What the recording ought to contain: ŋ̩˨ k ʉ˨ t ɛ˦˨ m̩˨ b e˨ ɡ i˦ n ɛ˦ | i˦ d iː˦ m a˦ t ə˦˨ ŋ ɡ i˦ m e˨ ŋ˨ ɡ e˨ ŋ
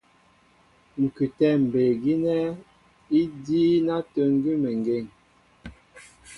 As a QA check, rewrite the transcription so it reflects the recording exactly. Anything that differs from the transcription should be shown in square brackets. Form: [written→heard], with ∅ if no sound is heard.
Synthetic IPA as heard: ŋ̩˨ k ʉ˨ t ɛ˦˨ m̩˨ b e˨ ɡ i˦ n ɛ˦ | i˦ d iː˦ [m→n] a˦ t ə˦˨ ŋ ɡ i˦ m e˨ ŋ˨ ɡ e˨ ŋ